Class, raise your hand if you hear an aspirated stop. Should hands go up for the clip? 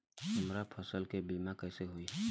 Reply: yes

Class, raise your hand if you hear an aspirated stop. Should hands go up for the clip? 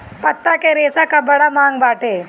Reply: no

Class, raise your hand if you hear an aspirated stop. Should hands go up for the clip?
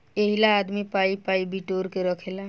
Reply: yes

